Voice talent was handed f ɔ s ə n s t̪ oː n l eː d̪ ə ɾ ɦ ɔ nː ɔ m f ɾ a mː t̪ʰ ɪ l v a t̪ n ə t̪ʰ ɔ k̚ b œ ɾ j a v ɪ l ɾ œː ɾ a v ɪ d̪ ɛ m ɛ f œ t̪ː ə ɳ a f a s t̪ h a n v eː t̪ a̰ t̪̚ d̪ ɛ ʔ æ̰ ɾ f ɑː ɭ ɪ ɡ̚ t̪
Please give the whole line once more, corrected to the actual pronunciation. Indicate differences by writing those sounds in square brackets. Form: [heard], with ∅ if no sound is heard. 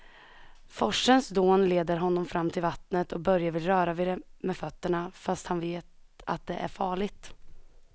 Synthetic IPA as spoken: f ɔ [ʂ] ə n s [d̪] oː n l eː d̪ ə ɾ ɦ ɔ nː ɔ m f ɾ a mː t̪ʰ ɪ l v a t̪ n ə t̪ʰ ɔ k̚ b œ ɾ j a v ɪ l ɾ œː ɾ a v ɪ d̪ ɛ m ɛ f œ t̪ː ə ɳ a f a s t̪ h a n v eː t̪ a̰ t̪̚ d̪ ɛ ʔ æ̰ ɾ f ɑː ɭ ɪ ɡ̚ t̪

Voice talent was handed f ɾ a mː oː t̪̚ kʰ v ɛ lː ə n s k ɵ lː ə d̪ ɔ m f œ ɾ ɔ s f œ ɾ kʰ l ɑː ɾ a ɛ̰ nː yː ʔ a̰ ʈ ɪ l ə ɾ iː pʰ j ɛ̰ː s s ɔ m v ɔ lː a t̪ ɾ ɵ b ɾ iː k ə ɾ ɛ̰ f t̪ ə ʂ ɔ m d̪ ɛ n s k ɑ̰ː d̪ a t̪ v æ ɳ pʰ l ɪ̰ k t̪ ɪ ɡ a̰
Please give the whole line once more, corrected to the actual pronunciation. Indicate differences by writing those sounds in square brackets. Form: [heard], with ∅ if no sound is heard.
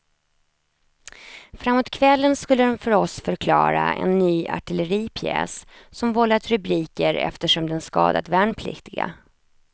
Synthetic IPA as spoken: f ɾ a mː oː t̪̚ kʰ v ɛ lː ə n s k ɵ lː ə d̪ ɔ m f œ ɾ ɔ s f œ ɾ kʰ l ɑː ɾ a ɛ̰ nː yː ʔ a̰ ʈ ɪ l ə ɾ iː pʰ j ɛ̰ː s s ɔ m v ɔ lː a t̪ ɾ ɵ b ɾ iː k ə ɾ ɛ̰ f t̪ ə ʂ ɔ m d̪ ɛ n s k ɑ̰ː d̪ a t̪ v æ ɳ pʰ l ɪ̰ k t̪ ɪ ɡ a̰

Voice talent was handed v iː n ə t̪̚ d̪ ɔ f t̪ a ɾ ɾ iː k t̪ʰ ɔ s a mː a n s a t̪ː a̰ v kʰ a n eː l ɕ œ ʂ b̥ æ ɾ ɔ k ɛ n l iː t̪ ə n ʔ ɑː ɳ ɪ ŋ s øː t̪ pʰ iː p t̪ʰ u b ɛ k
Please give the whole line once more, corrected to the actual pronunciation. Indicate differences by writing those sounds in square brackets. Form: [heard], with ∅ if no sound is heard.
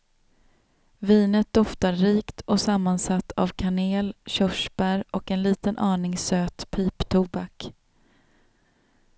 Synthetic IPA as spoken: v iː n ə t̪̚ d̪ ɔ f t̪ a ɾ ɾ iː k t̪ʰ ɔ s a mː a n s a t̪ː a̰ v kʰ a n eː l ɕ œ ʂ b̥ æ ɾ ɔ k ɛ n l iː t̪ ə n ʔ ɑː ɳ ɪ ŋ s øː t̪ pʰ iː p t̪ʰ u b [a] k

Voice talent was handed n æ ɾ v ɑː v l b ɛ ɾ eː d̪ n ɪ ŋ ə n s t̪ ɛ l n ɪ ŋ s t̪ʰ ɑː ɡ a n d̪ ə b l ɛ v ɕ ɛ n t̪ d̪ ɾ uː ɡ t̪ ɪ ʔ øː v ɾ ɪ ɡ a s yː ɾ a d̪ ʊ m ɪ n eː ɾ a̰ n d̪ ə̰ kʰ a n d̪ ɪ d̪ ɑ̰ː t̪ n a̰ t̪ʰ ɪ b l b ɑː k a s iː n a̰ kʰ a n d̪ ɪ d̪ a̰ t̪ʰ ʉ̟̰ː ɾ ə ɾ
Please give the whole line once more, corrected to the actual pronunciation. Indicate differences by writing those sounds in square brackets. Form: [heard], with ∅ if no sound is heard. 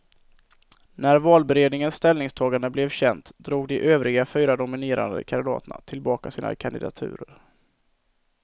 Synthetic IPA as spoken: n æ ɾ v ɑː [∅] l b ɛ ɾ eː d̪ n ɪ ŋ ə n s t̪ ɛ l n ɪ ŋ s t̪ʰ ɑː ɡ a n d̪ ə b l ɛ v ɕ ɛ n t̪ d̪ ɾ uː ɡ [d̪] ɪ ʔ øː v ɾ ɪ ɡ a [f] yː ɾ a d̪ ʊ m ɪ n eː ɾ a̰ n d̪ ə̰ kʰ a n d̪ ɪ d̪ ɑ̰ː t̪ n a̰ t̪ʰ ɪ [∅] l b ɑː k a s iː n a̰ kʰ a n d̪ ɪ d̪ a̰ t̪ʰ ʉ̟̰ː ɾ ə ɾ

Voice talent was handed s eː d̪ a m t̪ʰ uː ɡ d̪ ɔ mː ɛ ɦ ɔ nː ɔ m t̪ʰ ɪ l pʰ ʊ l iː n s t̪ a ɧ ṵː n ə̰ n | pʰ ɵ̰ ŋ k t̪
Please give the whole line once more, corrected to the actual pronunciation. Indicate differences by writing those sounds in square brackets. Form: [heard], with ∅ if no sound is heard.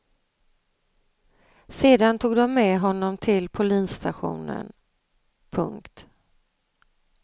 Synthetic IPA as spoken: s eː d̪ a [n] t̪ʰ uː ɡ d̪ ɔ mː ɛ ɦ ɔ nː ɔ m t̪ʰ ɪ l pʰ ʊ l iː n s t̪ a ɧ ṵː n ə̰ n | pʰ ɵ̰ ŋ k t̪

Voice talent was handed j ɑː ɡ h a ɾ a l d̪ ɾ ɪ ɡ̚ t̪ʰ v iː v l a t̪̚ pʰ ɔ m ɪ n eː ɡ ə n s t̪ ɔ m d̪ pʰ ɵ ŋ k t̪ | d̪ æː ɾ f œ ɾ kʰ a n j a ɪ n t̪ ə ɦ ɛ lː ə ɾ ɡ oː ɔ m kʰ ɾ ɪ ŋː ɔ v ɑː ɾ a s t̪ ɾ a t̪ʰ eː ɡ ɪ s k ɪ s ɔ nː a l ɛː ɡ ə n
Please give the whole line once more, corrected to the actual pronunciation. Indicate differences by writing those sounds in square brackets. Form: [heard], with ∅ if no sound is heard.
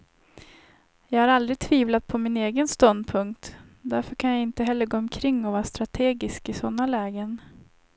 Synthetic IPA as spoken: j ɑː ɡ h a ɾ a l d̪ ɾ ɪ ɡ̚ t̪ʰ v iː v l a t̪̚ pʰ ɔ m ɪ n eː ɡ ə n s t̪ ɔ [n] d̪ pʰ ɵ ŋ k t̪ | d̪ [æ] ɾ f œ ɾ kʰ a n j a ɪ n t̪ ə ɦ ɛ lː ə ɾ ɡ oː ɔ m kʰ ɾ ɪ ŋː ɔ v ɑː ɾ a s t̪ ɾ a t̪ʰ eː ɡ ɪ s k ɪ s ɔ nː a l ɛː ɡ ə n

